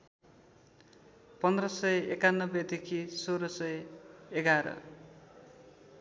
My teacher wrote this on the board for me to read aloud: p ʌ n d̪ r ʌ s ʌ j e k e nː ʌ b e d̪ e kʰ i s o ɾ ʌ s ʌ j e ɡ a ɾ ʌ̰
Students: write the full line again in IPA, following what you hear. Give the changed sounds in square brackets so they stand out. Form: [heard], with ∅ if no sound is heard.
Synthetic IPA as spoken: p ʌ n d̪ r ʌ s ʌ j e k [a] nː ʌ b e d̪ e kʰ i s o ɾ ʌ s ʌ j e ɡ a ɾ ʌ̰